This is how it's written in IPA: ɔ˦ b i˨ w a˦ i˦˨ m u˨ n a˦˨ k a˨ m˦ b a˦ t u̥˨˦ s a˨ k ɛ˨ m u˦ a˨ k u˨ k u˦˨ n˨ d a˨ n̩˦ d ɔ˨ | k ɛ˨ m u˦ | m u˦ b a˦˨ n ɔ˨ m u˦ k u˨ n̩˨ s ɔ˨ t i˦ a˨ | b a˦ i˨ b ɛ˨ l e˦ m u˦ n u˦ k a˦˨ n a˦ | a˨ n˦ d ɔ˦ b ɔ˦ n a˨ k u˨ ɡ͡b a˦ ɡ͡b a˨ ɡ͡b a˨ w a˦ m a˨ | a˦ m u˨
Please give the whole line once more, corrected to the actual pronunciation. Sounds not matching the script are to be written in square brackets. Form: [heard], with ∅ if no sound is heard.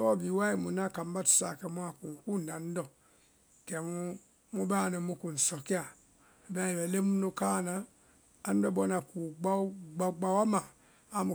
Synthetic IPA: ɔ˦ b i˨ w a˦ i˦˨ m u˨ n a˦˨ k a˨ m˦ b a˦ t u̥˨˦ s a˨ k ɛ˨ m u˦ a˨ k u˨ k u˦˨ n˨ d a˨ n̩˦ d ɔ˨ | k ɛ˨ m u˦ | m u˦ b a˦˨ n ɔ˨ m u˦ k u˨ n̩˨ s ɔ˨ [k] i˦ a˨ | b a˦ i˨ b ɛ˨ l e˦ m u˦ n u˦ k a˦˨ n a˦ | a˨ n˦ d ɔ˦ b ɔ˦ n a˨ k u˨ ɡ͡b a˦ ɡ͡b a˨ ɡ͡b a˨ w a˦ m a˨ | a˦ m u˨